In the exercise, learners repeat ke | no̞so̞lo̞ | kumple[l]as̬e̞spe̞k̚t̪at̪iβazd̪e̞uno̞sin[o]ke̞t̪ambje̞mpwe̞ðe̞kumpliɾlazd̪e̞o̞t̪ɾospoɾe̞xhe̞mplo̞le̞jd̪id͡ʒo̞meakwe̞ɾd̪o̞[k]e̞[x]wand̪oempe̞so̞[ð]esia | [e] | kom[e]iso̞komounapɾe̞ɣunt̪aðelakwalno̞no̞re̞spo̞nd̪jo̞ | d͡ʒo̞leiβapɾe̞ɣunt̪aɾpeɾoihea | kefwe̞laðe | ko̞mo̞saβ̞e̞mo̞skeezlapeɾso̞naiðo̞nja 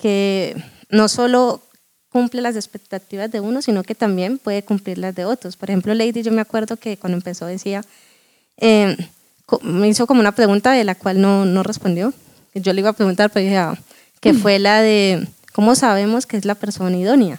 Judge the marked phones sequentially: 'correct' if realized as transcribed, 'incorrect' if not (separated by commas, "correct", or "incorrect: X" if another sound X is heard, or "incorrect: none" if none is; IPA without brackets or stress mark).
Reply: correct, correct, correct, incorrect: k, correct, correct, correct